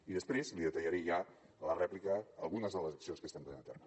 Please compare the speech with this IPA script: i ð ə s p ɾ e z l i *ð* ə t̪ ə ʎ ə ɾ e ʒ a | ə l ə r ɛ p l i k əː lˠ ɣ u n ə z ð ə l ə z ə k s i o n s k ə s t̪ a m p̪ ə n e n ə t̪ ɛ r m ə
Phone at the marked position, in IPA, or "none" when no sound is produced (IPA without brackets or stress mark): ð